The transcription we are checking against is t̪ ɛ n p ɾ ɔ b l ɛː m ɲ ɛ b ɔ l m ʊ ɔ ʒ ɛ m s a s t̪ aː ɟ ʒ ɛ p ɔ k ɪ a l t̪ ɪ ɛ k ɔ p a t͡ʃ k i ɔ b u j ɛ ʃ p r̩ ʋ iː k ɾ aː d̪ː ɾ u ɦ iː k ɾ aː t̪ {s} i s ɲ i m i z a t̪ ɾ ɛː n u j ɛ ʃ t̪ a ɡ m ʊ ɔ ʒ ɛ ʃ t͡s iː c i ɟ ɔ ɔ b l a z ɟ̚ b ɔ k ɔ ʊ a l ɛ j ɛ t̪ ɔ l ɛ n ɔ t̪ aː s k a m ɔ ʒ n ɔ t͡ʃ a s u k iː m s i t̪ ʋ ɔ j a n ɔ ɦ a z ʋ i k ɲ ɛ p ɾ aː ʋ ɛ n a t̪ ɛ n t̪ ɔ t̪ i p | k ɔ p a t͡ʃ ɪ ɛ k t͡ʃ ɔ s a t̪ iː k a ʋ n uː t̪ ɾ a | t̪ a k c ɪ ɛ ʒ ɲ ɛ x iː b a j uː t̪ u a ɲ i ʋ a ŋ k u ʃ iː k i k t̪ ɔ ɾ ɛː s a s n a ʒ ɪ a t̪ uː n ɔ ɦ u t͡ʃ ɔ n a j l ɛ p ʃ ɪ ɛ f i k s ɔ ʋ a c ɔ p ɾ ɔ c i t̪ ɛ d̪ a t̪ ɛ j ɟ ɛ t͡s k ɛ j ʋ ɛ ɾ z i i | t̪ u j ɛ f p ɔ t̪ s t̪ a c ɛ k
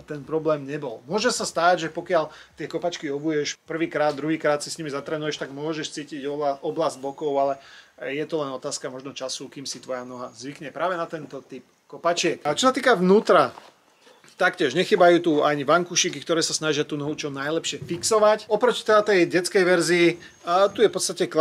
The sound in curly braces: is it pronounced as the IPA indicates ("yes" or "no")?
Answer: yes